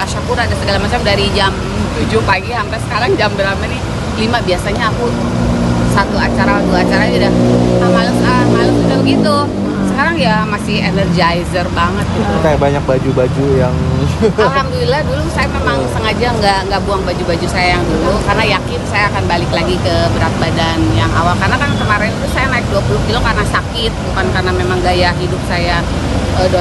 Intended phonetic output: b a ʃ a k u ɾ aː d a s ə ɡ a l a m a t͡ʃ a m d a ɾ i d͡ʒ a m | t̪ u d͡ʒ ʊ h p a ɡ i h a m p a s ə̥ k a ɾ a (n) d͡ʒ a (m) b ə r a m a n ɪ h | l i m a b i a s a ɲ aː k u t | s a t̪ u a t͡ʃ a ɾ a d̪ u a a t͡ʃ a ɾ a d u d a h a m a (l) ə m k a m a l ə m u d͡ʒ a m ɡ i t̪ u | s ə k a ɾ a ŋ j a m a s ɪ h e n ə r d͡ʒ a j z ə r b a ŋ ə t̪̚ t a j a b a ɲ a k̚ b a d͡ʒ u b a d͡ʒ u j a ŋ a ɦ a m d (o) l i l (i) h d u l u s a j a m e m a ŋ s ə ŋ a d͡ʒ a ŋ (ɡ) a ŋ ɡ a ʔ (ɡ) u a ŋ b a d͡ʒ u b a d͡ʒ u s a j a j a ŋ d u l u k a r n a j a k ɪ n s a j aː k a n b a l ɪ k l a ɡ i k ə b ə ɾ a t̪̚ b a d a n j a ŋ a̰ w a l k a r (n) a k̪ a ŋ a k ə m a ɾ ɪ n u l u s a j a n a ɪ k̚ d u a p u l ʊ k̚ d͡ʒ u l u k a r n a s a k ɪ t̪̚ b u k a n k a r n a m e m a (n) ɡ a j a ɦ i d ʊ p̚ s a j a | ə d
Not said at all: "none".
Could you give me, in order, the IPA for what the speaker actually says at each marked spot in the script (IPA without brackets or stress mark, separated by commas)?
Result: ŋ, m, l, u, a, ɡ, b, n, ŋ